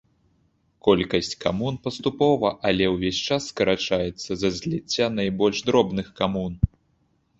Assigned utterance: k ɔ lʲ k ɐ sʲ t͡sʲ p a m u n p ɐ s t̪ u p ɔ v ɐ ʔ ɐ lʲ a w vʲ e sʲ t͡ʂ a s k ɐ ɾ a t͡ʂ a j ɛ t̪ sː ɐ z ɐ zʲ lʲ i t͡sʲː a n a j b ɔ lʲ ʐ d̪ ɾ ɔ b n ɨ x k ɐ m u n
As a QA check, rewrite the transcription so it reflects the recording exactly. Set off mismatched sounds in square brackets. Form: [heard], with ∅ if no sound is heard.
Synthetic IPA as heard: k ɔ lʲ k ɐ sʲ t͡sʲ [k] a m u n p ɐ s t̪ u p ɔ v ɐ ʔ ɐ lʲ [ɛ] w vʲ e sʲ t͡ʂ a [sː] k ɐ ɾ a t͡ʂ a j ɛ t̪ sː ɐ z ɐ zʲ lʲ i t͡sʲː a n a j b ɔ lʲ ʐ d̪ ɾ ɔ b n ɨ x k [a] m u n